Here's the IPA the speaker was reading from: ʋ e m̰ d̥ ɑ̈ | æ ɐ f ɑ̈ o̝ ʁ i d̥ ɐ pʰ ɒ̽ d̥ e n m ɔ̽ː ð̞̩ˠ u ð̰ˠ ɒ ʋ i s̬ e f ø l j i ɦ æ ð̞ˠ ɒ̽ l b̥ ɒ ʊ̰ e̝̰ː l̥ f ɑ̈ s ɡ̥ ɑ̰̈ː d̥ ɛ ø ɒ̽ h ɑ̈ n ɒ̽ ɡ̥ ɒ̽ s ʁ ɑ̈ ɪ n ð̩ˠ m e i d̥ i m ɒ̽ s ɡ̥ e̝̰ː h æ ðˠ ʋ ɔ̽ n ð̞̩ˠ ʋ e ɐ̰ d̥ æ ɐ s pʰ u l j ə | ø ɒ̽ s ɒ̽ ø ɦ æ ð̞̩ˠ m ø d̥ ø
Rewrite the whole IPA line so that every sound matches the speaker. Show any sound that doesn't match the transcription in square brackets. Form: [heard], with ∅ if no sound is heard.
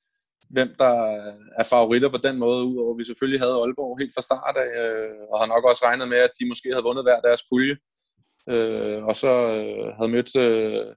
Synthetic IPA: ʋ e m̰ d̥ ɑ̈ | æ ɐ f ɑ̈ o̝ ʁ i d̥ ɐ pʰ ɒ̽ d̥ e n m ɔ̽ː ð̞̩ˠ u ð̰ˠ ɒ ʋ i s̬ e f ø l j i ɦ æ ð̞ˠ ɒ̽ l b̥ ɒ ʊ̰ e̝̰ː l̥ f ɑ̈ s [d̥] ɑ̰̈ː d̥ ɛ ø ɒ̽ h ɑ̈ n ɒ̽ ɡ̥ ɒ̽ s ʁ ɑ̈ ɪ n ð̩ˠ m e [æ] d̥ i m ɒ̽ s ɡ̥ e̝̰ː h æ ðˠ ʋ ɔ̽ n ð̞̩ˠ ʋ [æ] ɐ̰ d̥ æ ɐ s pʰ u l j ə | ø ɒ̽ s ɒ̽ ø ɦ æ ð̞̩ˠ m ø d̥ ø